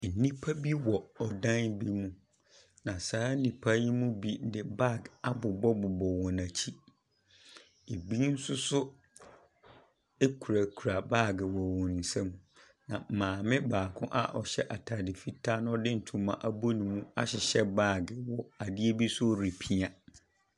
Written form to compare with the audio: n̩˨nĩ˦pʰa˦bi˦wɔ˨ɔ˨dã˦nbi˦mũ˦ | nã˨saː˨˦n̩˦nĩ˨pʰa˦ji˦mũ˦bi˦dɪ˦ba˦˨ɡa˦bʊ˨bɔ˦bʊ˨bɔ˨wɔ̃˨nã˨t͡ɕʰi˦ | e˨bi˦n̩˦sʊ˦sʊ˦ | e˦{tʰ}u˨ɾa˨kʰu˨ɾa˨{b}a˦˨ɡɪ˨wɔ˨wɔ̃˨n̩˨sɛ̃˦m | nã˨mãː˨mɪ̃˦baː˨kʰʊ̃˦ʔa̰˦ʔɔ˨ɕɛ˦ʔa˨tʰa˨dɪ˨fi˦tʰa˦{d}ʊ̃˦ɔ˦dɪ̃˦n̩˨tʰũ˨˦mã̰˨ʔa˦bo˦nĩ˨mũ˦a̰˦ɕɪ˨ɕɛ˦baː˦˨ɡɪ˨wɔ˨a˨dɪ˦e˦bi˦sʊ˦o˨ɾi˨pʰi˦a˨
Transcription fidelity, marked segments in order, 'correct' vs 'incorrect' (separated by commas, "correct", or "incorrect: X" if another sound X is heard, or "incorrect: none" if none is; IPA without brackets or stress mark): incorrect: kʰ, correct, incorrect: n